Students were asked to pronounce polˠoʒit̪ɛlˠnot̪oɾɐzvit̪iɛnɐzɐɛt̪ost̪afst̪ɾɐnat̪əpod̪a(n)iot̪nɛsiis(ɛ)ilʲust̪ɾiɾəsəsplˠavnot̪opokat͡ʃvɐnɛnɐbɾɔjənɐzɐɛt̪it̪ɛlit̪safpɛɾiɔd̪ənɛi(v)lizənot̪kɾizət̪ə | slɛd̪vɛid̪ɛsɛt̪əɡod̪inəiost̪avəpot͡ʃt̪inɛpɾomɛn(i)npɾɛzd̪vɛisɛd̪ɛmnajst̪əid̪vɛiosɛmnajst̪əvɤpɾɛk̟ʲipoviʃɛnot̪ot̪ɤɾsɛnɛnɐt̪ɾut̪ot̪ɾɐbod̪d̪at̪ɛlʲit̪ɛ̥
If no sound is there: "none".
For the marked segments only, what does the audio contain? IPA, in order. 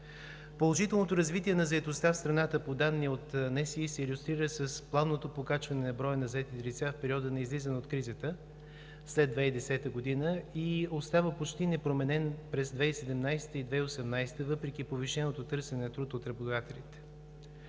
nː, ɛ, z, ɛ

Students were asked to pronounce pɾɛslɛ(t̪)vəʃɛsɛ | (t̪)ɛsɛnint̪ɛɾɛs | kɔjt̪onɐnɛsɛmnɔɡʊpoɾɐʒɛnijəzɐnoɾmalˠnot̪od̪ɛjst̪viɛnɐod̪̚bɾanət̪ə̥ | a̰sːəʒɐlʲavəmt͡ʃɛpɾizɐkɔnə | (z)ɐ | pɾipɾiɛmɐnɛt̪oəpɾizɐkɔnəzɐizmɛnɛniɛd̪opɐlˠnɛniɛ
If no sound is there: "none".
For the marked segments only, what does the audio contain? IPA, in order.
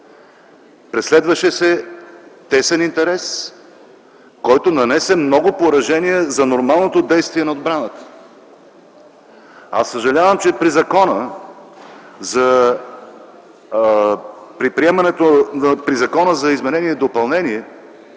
d̪, t̪, z

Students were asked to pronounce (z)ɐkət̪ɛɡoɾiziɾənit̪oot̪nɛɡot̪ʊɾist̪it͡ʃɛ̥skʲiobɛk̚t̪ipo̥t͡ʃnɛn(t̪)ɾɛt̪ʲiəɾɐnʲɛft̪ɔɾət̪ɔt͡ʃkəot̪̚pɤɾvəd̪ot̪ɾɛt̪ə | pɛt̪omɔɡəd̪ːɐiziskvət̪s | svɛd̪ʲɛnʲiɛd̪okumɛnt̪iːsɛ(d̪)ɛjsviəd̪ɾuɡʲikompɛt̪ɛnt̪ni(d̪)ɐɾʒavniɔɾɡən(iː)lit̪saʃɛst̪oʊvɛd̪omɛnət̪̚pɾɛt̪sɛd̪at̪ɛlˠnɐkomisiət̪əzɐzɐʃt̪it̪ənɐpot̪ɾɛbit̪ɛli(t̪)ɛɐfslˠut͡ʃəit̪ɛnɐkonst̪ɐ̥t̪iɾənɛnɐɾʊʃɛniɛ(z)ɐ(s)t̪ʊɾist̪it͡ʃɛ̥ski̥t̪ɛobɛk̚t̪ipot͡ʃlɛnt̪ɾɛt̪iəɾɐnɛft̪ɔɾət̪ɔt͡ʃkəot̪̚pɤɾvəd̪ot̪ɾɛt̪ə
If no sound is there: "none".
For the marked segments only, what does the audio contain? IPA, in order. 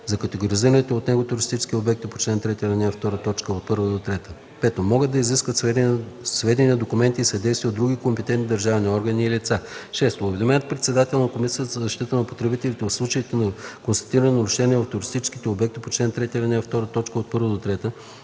z, t̪, d̪, d̪, iː, t̪, v, f

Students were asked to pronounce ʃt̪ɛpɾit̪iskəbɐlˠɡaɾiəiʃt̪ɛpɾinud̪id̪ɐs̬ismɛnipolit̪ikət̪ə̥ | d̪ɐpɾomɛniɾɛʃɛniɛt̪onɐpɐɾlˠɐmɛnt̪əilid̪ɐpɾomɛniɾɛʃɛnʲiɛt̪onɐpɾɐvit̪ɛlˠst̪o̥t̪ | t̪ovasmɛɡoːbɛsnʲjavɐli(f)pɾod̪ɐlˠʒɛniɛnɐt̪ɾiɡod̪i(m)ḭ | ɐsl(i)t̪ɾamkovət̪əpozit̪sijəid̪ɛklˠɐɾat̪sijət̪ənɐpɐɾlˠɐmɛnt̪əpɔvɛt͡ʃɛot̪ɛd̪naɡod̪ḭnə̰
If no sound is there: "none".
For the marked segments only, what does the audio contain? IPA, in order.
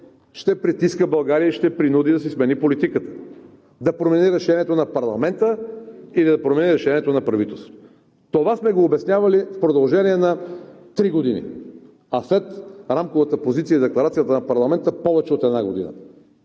f, n, ɛ

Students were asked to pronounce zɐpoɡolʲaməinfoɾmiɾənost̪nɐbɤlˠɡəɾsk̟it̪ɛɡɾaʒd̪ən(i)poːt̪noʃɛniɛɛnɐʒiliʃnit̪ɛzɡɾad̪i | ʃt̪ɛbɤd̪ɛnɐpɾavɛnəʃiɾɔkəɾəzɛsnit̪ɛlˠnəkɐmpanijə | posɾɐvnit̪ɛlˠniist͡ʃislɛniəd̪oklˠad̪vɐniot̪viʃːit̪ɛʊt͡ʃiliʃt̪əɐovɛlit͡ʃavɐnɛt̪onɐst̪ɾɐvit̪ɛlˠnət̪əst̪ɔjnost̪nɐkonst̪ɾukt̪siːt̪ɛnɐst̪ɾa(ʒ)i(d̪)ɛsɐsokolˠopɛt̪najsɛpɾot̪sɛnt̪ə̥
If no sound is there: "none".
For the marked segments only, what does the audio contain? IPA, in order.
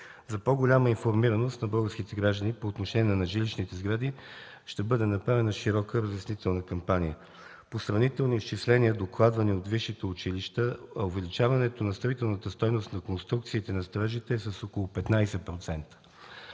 i, ʒ, t̪

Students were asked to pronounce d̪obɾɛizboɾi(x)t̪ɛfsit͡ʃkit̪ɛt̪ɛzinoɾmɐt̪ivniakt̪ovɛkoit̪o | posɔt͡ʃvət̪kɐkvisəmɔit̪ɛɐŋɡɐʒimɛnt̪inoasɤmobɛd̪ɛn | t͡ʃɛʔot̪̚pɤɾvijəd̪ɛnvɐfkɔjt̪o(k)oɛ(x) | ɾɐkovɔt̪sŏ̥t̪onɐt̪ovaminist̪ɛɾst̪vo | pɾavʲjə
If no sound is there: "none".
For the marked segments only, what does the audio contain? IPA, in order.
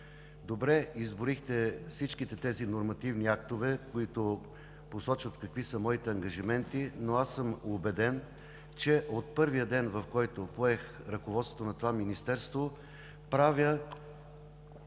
x, p, x

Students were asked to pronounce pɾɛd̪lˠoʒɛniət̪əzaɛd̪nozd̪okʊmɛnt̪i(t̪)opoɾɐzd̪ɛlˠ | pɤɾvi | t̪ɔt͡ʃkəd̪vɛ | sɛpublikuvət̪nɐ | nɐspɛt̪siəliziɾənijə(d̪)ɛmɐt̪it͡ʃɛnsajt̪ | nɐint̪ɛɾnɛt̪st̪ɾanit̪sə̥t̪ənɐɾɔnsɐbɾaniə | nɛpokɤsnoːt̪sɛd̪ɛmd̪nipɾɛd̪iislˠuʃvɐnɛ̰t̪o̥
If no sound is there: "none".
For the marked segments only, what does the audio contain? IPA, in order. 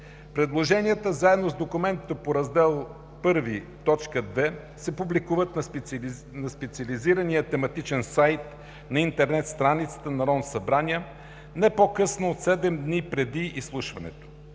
t̪, t̪

